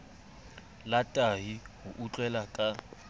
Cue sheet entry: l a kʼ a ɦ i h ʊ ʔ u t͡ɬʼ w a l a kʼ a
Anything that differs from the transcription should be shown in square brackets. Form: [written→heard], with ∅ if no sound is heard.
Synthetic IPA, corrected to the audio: l a [kʼ→tʼ] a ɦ i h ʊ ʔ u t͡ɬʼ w [a→ɛ] l a kʼ a